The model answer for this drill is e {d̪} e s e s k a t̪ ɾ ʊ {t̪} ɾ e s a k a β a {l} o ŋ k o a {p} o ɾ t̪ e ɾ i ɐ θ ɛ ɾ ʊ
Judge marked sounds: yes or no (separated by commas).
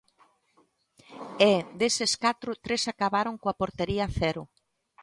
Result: yes, yes, no, yes